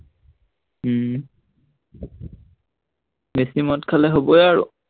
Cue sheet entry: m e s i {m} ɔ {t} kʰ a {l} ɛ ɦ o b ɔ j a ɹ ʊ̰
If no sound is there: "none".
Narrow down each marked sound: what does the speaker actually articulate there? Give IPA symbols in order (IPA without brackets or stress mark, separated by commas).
m, t, l